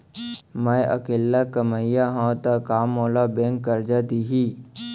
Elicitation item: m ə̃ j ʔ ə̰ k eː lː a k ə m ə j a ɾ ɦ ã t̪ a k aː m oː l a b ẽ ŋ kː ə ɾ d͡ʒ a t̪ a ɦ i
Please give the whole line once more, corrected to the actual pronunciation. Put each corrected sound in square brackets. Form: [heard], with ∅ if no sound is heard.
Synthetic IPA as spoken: m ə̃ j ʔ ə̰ k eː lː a k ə m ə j a [∅] ɦ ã t̪ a k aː m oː l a b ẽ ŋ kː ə ɾ d͡ʒ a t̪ [i] ɦ i